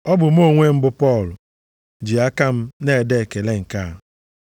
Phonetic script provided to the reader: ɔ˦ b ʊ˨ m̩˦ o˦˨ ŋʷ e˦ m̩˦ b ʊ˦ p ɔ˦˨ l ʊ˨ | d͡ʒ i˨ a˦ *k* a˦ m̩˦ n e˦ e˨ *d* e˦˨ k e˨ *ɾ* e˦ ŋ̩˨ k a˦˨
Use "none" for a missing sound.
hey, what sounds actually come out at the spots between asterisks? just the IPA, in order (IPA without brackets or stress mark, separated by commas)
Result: k, d, l